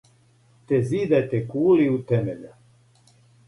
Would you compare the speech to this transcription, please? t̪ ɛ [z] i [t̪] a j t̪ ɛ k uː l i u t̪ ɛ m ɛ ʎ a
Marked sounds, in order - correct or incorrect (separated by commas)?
correct, incorrect